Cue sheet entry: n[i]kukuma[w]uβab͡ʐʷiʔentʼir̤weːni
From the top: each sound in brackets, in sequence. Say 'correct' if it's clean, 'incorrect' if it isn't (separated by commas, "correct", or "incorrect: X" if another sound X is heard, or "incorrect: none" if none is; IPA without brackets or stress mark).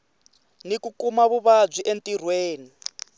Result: correct, incorrect: β